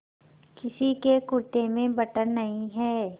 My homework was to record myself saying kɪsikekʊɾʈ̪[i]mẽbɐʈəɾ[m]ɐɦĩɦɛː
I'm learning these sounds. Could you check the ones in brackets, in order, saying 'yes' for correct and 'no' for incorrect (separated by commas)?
no, no